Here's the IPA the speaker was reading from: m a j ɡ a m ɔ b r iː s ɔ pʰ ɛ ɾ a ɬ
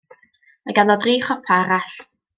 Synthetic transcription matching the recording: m a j ɡ a n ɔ d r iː χ ɔ pʰ a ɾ a ɬ